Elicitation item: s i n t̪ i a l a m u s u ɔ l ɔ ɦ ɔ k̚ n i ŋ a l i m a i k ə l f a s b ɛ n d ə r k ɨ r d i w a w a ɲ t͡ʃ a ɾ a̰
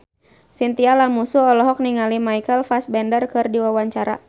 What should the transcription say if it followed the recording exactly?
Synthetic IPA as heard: s i n t̪ i a l a m u s u ɔ l ɔ ɦ ɔ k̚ n i ŋ a l i m a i k ə l f a s b ɛ n d ə r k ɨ r d i w a w a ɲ t͡ʃ a ɾ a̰